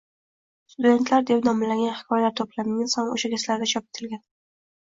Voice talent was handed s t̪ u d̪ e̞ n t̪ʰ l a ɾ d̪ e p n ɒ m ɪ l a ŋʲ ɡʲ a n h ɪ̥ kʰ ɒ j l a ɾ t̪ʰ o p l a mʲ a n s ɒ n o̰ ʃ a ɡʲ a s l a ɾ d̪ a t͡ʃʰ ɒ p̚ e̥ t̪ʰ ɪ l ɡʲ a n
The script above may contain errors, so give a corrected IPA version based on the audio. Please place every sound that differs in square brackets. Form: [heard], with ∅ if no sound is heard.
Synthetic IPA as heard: s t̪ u d̪ e̞ n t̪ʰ l a ɾ d̪ e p n ɒ m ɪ l a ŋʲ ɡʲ a n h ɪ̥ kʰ ɒ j l a ɾ t̪ʰ o p l a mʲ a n s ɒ n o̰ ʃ a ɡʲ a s l a ɾ d̪ a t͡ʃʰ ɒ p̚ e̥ t̪ʰ ɪ l ɡʲ a n